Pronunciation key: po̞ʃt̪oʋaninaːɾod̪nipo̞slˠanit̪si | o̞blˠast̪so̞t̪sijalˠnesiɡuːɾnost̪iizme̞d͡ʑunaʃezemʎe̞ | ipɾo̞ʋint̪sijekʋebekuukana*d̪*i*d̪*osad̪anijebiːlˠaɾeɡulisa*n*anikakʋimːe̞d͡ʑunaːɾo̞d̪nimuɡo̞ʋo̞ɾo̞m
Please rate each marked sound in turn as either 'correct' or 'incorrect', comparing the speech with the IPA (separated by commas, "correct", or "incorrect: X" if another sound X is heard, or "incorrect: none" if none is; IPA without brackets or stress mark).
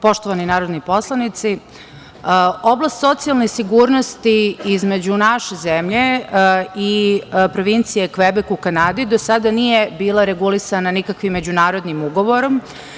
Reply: correct, correct, correct